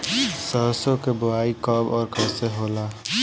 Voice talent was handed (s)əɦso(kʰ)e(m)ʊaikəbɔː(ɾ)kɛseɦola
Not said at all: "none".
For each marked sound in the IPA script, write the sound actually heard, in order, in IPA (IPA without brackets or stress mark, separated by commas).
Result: s, k, b, ɾ